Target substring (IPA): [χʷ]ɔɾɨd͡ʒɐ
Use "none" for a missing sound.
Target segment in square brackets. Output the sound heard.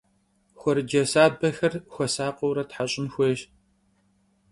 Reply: xʷ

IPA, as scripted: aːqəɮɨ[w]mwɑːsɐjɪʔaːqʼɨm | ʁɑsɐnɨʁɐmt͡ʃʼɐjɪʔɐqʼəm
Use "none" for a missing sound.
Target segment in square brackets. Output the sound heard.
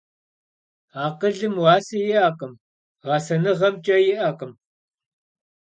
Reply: none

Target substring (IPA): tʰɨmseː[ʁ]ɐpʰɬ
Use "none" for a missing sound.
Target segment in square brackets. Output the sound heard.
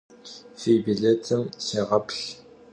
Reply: ʁ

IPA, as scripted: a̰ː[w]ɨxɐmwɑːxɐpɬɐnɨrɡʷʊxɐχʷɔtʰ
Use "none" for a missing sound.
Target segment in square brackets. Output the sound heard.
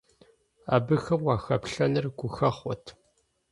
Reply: b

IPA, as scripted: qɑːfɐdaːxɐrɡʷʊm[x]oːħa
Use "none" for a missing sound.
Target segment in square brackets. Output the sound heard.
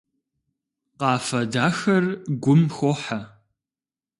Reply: x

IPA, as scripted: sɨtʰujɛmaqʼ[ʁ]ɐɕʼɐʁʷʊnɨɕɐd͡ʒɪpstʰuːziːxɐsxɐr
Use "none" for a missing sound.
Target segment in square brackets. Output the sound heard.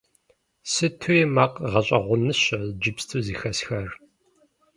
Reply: ʁ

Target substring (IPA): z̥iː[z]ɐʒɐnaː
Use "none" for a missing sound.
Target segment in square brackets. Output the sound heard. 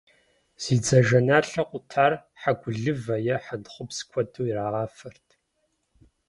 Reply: d͡z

